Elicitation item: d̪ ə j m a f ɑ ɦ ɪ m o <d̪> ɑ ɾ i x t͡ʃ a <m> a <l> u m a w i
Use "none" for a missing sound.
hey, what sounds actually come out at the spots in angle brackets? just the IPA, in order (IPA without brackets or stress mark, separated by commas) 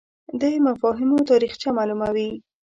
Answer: t̪, m, l